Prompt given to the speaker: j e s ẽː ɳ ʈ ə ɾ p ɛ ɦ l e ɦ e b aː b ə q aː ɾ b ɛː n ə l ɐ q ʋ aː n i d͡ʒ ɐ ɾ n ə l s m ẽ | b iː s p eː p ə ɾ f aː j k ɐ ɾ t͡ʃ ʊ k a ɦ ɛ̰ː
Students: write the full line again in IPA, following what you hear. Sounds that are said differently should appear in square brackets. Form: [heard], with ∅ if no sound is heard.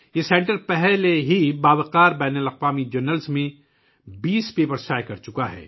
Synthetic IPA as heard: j e s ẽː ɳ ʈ ə ɾ p ɛ ɦ l e ɦ [i] b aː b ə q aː ɾ b ɛː n ə l ɐ q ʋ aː [m] i d͡ʒ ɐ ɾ n ə l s m ẽ | b iː s p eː p ə ɾ [s] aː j k ɐ ɾ t͡ʃ ʊ k a ɦ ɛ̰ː